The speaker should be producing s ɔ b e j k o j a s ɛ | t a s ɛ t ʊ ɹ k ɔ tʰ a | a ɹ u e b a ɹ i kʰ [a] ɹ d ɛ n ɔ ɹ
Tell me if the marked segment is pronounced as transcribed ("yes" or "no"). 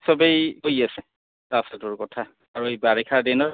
yes